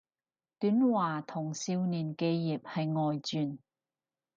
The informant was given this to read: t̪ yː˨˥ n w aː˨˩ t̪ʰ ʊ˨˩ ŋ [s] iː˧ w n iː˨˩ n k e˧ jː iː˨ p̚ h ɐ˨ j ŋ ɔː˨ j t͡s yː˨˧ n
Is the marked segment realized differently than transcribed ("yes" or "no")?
no